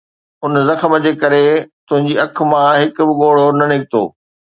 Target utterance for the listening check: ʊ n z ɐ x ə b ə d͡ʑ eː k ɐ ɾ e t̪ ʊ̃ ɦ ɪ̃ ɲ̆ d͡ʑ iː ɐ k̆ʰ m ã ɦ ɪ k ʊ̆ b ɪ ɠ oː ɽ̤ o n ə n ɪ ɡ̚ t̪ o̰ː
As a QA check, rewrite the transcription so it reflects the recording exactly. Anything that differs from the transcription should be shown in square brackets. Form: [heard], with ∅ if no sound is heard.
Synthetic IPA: ʊ n z ɐ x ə [m] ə d͡ʑ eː k ɐ ɾ e t̪ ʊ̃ ɦ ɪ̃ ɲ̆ d͡ʑ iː ɐ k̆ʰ m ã ɦ ɪ k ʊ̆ b ɪ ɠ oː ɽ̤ o n [ɐ] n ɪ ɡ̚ t̪ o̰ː